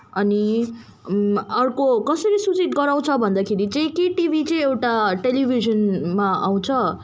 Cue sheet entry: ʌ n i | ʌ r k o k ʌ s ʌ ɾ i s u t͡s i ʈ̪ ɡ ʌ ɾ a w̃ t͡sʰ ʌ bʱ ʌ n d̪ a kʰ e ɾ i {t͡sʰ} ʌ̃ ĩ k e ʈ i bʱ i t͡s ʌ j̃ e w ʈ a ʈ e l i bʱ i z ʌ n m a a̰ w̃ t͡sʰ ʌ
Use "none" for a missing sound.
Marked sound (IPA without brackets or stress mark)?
t͡s